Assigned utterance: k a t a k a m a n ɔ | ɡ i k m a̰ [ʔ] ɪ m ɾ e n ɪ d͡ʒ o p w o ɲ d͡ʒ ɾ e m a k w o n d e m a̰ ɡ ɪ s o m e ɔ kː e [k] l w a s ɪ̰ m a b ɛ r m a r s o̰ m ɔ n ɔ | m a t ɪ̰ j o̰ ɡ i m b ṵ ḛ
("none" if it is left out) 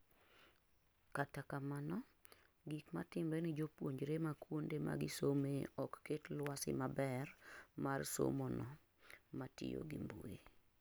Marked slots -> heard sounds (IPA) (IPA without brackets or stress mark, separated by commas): t, t